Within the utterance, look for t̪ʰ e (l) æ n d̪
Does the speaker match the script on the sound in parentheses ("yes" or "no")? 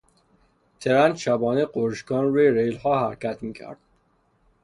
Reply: no